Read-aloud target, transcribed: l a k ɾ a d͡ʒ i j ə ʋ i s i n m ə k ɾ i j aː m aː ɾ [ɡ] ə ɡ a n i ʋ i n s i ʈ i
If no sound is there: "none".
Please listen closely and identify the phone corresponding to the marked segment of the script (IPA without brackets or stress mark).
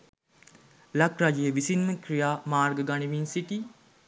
ɡ